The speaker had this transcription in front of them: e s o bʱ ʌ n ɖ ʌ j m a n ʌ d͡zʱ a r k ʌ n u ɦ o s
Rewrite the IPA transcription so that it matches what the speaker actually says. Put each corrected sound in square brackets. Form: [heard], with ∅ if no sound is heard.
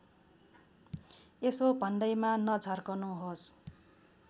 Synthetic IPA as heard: e s o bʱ ʌ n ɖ ʌ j m a n ʌ d͡zʱ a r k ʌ n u ɦ o s